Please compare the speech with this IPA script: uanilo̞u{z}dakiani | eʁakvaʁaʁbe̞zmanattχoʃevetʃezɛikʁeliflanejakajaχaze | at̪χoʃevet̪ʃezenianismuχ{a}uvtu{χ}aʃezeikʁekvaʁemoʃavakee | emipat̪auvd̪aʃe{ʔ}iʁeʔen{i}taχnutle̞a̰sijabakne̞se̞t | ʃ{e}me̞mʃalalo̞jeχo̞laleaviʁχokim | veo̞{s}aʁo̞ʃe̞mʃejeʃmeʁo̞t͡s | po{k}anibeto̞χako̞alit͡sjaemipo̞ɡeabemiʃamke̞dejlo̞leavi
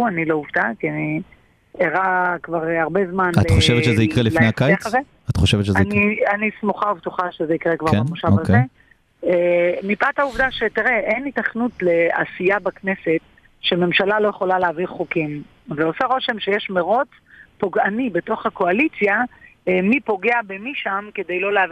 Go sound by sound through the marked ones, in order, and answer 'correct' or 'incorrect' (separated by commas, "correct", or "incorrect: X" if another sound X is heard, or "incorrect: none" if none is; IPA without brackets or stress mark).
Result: incorrect: v, correct, correct, incorrect: t, correct, correct, correct, incorrect: ɡ